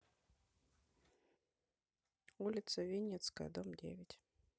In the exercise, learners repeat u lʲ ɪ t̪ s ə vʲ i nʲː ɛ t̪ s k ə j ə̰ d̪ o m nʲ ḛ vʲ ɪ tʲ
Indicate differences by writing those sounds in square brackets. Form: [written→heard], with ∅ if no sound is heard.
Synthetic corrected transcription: u lʲ ɪ t̪ s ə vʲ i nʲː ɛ t̪ s k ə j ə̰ d̪ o m [nʲ→dʲ] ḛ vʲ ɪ tʲ

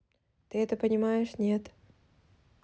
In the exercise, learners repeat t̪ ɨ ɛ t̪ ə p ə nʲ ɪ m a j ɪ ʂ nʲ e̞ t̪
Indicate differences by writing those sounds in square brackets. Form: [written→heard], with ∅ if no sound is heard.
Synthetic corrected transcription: t̪ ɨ ɛ t̪ ə p ə nʲ ɪ m a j ɪ ʂ nʲ e̞ t̪

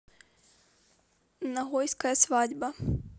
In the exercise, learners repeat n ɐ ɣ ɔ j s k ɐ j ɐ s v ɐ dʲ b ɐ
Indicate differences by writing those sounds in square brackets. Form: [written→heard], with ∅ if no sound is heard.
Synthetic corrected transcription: n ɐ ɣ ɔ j s k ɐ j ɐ s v [ɐ→a] dʲ b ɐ

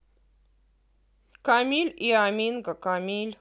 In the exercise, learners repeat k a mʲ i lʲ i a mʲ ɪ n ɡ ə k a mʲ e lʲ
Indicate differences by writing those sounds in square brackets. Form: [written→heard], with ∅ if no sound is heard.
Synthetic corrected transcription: k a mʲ i lʲ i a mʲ [ɪ→i] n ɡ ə k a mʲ [e→i] lʲ

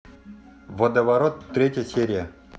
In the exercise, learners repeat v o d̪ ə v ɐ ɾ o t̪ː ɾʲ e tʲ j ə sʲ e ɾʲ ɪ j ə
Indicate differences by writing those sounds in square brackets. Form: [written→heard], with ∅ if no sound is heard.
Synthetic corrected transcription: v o d̪ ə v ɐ ɾ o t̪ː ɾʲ e tʲ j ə sʲ e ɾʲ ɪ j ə

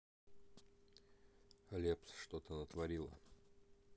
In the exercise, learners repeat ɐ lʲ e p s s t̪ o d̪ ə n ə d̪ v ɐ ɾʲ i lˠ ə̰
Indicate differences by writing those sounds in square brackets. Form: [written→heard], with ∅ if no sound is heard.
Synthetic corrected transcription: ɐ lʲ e p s [s→ʂ] t̪ o [d̪→t̪] ə n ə [d̪→t̪] v ɐ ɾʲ i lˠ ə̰

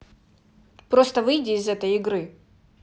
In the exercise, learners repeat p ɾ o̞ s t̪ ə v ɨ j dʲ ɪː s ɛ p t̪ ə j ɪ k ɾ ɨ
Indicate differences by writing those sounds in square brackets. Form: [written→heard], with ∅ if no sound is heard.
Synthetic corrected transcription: p ɾ o̞ s t̪ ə v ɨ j dʲ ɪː [s→z] ɛ [p→∅] t̪ ə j ɪ [k→ɡ] ɾ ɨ

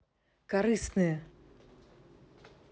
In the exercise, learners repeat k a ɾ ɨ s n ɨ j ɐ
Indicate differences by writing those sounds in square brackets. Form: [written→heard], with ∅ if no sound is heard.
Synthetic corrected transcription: k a ɾ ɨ s n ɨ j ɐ

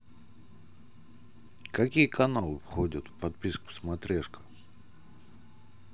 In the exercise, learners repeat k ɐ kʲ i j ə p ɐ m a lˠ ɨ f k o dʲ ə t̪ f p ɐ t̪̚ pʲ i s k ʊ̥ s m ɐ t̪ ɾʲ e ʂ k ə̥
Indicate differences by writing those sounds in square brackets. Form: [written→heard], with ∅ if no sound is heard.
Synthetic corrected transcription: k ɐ kʲ i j ə [p→k] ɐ [m→n] a lˠ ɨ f [k→x] o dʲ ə t̪ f p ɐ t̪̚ pʲ i s k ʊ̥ s m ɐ t̪ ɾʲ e ʂ k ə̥

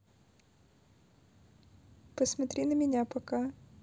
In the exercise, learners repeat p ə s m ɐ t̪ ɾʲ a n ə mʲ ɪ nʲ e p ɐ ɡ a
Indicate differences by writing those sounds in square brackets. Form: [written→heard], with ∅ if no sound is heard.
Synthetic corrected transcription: p ə s m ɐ t̪ ɾʲ [a→i] n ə mʲ ɪ nʲ [e→a] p ɐ [ɡ→k] a

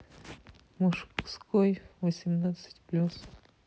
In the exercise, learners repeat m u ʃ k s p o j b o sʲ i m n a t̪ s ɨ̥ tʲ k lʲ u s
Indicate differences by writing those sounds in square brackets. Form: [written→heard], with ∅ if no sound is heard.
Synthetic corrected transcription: m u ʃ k s [p→k] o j [b→v] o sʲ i m n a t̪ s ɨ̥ tʲ [k→p] lʲ u s

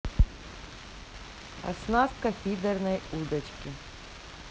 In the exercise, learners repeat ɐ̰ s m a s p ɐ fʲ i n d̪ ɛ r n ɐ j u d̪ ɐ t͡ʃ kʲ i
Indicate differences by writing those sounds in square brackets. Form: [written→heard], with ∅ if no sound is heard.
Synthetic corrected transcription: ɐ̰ s [m→n] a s [p→k] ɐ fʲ i [n→∅] d̪ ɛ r n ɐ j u d̪ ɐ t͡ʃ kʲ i

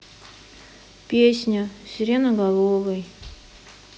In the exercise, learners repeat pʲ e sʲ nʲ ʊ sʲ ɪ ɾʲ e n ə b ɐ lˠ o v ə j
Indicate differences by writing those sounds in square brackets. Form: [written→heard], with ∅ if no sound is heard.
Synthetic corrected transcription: pʲ e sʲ nʲ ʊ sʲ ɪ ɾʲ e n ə [b→ɡ] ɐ lˠ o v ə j

